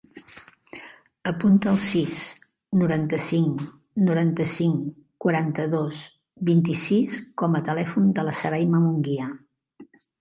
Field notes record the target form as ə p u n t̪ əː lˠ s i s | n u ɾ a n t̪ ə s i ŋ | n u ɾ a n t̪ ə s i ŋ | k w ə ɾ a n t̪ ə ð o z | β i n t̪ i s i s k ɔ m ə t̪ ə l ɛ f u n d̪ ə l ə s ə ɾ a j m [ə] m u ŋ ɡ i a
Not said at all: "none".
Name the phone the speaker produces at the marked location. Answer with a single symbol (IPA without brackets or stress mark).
ə